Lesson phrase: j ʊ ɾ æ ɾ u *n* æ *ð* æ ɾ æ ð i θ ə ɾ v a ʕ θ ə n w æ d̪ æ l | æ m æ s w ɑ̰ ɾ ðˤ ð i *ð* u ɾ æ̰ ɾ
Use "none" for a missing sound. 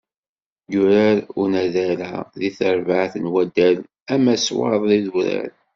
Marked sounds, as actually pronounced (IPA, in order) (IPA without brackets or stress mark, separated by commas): n, ð, ð